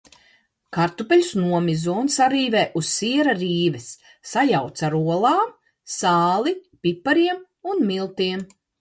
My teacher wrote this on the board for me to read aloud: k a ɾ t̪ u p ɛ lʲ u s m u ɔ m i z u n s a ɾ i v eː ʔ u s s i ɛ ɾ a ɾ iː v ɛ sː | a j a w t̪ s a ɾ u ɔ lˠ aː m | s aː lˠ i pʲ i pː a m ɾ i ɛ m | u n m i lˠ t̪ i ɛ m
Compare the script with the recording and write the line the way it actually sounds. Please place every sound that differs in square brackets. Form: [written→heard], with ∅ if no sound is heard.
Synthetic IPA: k a ɾ t̪ u p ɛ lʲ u s [m→n] u ɔ m i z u n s a ɾ [i→iː] v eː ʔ u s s i ɛ ɾ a ɾ iː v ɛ sː | a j a w t̪ s a ɾ u ɔ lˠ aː m | s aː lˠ i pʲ i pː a [m→∅] ɾ i ɛ m | u n m i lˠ t̪ i ɛ m